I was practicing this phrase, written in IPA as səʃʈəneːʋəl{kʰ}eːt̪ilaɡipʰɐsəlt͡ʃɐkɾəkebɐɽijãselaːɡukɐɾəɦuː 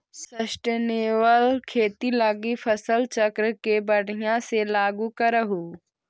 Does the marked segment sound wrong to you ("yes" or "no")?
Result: no